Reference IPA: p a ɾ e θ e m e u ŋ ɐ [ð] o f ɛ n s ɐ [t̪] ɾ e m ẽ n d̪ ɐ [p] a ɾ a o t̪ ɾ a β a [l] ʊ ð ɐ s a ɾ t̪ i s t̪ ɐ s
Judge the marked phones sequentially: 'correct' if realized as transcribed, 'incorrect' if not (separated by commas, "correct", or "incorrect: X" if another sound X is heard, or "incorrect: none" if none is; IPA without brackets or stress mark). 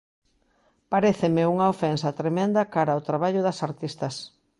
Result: incorrect: none, correct, incorrect: k, incorrect: ʎ